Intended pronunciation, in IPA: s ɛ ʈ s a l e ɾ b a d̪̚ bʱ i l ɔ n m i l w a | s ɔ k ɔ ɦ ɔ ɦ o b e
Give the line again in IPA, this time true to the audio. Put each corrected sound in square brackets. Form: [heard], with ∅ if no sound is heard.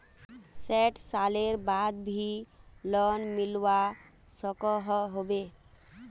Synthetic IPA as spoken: s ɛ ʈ s a l e ɾ b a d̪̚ bʱ i l ɔ n m i l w a | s ɔ k ɔ ɦ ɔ ɦ o b e